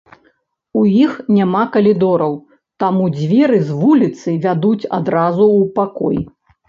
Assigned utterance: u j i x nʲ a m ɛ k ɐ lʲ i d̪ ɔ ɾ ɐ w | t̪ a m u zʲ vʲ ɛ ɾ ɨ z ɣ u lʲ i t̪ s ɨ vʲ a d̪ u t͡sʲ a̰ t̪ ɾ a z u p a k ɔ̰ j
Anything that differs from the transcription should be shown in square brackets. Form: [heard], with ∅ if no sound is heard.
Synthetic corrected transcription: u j i x nʲ a m [a] k ɐ lʲ i d̪ ɔ ɾ ɐ w | t̪ a m u [d͡zʲ] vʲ ɛ ɾ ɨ z [v] u lʲ i t̪ s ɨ vʲ a d̪ u t͡sʲ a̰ [d̪] ɾ a z u p a k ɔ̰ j

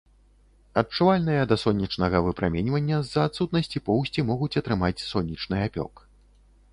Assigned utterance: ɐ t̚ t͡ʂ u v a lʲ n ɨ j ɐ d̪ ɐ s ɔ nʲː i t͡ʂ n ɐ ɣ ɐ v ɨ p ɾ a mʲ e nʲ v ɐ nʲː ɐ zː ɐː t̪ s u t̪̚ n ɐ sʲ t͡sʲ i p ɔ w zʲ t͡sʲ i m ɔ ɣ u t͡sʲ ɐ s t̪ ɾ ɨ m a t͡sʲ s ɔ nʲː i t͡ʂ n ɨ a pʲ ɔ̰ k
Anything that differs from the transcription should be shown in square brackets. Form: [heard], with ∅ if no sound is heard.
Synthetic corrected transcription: ɐ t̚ t͡ʂ u v a lʲ n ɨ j ɐ d̪ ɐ s ɔ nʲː i t͡ʂ n ɐ ɣ ɐ v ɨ p ɾ a mʲ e nʲ v ɐ nʲː ɐ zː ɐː t̪ s u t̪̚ n ɐ sʲ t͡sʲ i p ɔ w [sʲ] t͡sʲ i m ɔ ɣ u t͡sʲ ɐ [∅] t̪ ɾ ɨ m a t͡sʲ s ɔ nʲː i t͡ʂ n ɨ a pʲ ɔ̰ k

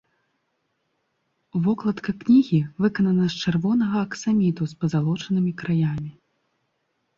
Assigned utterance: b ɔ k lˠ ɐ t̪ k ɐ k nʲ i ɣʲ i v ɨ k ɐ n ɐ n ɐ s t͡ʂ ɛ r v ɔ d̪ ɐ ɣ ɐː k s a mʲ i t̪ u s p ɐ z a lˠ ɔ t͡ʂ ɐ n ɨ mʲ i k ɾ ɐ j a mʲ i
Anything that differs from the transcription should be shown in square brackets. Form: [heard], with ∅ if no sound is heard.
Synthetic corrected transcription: [v] ɔ k lˠ ɐ t̪ k ɐ k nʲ i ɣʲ i v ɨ k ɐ n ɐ n ɐ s t͡ʂ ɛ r v ɔ [n̪] ɐ ɣ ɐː k s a mʲ i t̪ u s p ɐ z a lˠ ɔ t͡ʂ ɐ n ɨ mʲ i k ɾ [a] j a mʲ i

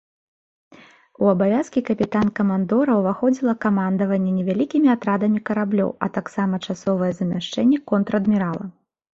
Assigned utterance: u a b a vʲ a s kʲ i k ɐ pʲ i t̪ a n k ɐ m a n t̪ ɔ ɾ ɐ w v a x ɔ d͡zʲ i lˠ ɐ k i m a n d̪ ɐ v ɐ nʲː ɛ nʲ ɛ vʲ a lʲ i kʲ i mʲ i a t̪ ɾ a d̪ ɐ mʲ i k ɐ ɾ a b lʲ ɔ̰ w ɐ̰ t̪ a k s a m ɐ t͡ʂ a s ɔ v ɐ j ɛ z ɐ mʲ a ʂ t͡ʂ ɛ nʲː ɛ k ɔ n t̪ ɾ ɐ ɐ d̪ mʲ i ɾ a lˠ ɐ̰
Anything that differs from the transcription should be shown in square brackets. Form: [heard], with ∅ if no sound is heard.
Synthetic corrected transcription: u [ɐ] b a vʲ a s kʲ i k ɐ pʲ i t̪ a n k ɐ m a n [d̪] ɔ ɾ ɐ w v a x ɔ d͡zʲ i lˠ ɐ k [a] m a n d̪ ɐ v ɐ nʲː ɛ nʲ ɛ vʲ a lʲ i kʲ i mʲ i a t̪ ɾ a d̪ ɐ mʲ i k ɐ ɾ a b lʲ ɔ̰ w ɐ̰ t̪ a k s a m ɐ t͡ʂ a s ɔ v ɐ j ɛ z ɐ mʲ a ʂ t͡ʂ ɛ nʲː ɛ k ɔ n t̪ ɾ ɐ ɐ d̪ mʲ i ɾ a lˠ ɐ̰

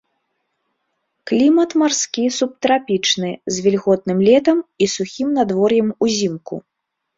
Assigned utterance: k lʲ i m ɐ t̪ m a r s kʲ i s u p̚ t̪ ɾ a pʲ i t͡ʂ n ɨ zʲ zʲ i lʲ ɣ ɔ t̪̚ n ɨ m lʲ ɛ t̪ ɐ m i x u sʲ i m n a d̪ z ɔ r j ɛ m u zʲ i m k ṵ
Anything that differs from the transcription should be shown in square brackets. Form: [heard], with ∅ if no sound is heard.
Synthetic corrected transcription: k lʲ i m ɐ t̪ m a r s kʲ i s u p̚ t̪ ɾ a pʲ i t͡ʂ n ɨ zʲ [vʲ] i lʲ ɣ ɔ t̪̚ n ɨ m lʲ ɛ t̪ ɐ m i [s] u [xʲ] i m n a d̪ [v] ɔ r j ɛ m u zʲ i m k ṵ

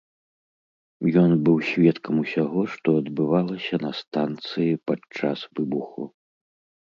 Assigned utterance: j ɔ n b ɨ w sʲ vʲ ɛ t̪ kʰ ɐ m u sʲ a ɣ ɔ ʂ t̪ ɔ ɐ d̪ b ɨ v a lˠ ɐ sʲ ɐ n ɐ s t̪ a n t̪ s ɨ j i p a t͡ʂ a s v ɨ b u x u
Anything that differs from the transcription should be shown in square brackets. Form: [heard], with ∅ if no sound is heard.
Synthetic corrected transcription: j ɔ n b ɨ w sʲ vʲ ɛ t̪ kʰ ɐ m u sʲ a ɣ ɔ ʂ t̪ ɔ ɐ d̪ b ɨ v a lˠ ɐ sʲ ɐ n ɐ s t̪ a n t̪ s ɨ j i p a t͡ʂ a s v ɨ b u x u

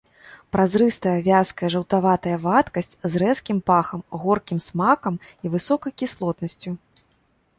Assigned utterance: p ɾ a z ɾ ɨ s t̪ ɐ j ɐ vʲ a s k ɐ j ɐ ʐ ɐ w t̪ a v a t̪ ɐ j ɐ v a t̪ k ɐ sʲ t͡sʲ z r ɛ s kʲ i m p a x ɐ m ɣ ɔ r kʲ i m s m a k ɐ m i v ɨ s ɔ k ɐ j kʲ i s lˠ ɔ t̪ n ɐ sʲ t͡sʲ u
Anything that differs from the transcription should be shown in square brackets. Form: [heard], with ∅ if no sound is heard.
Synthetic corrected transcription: p ɾ a z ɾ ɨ s t̪ ɐ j ɐ vʲ a s k ɐ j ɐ ʐ ɐ w t̪ a v a t̪ ɐ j ɐ v a t̪ k ɐ sʲ t͡sʲ z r ɛ s kʲ i m p a x ɐ m ɣ ɔ r kʲ i m s m a k ɐ m i v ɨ s ɔ k ɐ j kʲ i s lˠ ɔ t̪ n ɐ sʲ t͡sʲ u

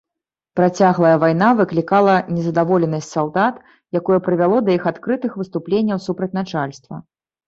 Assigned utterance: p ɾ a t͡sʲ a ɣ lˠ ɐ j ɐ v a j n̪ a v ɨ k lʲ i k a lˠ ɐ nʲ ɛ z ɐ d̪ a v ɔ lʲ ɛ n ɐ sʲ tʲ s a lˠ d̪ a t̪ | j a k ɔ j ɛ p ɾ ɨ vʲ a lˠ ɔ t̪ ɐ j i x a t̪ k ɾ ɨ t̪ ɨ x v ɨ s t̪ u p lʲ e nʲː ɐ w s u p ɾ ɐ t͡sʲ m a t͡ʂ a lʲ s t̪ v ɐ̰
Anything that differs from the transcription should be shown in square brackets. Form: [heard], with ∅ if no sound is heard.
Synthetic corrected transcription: p ɾ a t͡sʲ a ɣ lˠ ɐ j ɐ v a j n̪ a v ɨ k lʲ i k a lˠ ɐ nʲ ɛ z ɐ d̪ a v ɔ lʲ ɛ n ɐ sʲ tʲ s a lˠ d̪ a t̪ | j a k ɔ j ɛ p ɾ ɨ vʲ a lˠ ɔ [d̪] ɐ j i x a t̪ k ɾ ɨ t̪ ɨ x v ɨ s t̪ u p lʲ e nʲː ɐ w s u p ɾ ɐ t͡sʲ [n] a t͡ʂ a lʲ s t̪ v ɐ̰

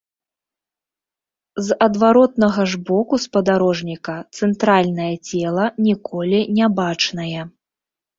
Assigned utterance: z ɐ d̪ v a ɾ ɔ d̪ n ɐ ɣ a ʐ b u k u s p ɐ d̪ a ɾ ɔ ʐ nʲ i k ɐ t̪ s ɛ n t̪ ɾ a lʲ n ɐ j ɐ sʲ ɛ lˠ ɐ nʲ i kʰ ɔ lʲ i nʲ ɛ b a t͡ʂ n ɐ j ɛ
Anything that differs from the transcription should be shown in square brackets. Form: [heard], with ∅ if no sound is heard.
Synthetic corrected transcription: z ɐ d̪ v a ɾ ɔ [t̪] n ɐ ɣ [ɐ] ʐ b [ɔ] k u s p ɐ d̪ a ɾ ɔ ʐ nʲ i k ɐ t̪ s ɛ n t̪ ɾ a lʲ n ɐ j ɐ [t͡sʲ] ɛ lˠ ɐ nʲ i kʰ ɔ lʲ i nʲ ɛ b a t͡ʂ n ɐ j ɛ

